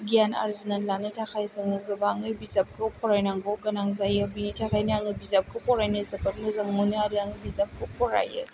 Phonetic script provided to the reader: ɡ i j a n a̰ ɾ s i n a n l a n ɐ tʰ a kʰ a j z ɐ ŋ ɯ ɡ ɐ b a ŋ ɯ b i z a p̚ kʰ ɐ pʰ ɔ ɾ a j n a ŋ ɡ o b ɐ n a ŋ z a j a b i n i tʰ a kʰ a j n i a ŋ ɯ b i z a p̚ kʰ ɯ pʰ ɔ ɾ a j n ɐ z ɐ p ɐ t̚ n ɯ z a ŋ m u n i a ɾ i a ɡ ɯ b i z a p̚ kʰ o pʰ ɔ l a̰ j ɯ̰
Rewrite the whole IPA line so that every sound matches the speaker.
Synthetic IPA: ɡ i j a n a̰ ɾ z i n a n l a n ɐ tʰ a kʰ a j z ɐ ŋ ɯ ɡ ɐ b a ŋ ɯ b i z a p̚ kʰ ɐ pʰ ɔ ɾ a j n a ŋ ɡ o ɡ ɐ n a ŋ z a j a b i n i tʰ a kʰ a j n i a ŋ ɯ b i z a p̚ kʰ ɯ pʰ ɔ ɾ a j n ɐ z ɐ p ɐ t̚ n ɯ z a ŋ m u n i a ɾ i a ŋ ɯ b i z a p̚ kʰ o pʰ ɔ ɾ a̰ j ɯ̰